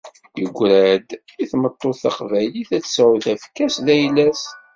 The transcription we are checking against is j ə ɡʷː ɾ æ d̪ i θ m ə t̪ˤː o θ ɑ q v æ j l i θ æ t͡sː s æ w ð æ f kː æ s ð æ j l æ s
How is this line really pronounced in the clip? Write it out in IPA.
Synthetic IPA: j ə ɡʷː ɾ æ d̪ i θ m ə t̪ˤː o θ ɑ q v æ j l i θ æ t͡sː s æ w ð æ f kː æ s ð æ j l æ s